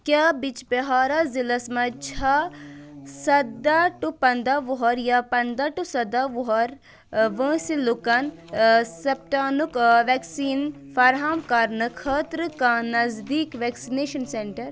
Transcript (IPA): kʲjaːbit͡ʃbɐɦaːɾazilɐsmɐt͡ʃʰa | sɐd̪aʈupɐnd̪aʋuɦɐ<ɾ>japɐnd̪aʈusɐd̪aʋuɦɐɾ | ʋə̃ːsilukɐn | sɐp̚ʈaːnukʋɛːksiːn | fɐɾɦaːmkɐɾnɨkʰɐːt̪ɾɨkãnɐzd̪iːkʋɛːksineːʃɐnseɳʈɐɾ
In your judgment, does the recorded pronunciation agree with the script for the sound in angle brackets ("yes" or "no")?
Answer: yes